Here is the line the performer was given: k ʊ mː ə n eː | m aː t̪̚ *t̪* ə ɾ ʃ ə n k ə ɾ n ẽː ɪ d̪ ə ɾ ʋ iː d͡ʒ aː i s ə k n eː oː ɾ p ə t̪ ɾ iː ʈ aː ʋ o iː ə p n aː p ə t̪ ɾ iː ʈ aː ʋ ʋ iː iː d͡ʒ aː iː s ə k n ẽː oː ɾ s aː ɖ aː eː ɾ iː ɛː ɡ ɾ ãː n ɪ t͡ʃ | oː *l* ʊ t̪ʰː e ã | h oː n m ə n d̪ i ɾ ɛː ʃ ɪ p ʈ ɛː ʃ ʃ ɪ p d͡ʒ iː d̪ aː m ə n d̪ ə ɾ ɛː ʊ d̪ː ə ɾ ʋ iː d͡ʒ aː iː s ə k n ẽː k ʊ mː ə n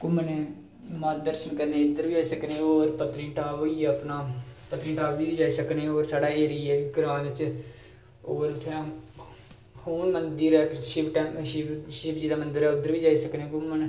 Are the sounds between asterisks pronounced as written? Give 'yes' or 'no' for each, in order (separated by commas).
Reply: no, no